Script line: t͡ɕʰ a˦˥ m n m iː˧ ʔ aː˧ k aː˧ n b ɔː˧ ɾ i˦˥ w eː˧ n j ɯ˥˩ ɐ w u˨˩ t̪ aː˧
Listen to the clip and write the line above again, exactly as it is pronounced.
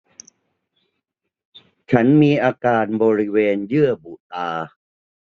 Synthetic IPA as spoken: t͡ɕʰ a˦˥ n m iː˧ ʔ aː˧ k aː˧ n b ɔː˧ ɾ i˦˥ w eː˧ n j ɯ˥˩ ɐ b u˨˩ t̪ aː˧